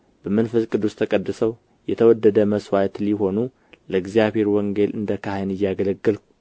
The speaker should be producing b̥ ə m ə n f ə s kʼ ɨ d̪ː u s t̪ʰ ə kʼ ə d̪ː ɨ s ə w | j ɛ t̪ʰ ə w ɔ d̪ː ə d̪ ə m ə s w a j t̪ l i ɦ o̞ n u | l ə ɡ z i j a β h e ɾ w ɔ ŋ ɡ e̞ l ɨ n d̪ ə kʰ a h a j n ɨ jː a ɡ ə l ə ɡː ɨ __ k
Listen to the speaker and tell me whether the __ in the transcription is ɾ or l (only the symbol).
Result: l